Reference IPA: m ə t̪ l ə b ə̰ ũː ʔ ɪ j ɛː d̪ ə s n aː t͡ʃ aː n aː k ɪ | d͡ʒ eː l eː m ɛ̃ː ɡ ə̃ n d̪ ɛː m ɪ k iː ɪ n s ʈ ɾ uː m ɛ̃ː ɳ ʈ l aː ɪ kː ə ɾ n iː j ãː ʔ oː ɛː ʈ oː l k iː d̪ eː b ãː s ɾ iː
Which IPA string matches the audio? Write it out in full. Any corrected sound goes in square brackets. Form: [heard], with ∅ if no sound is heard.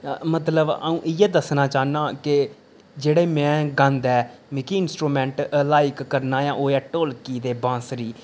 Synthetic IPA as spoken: m ə t̪ l ə b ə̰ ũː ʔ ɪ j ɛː d̪ ə s n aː t͡ʃ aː n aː k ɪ | d͡ʒ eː [ɽ] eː m ɛ̃ː ɡ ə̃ n d̪ ɛː m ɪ k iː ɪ n s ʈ ɾ uː m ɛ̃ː ɳ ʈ l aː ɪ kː ə ɾ n [aː] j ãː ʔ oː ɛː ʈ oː l k iː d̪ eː b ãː s ɾ iː